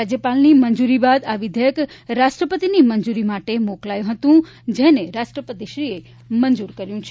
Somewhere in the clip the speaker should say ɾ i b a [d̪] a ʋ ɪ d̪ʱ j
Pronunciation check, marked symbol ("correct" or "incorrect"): correct